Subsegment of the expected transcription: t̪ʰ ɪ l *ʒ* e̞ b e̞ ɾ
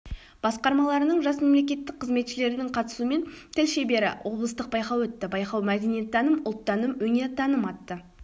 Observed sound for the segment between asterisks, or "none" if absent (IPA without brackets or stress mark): ʃ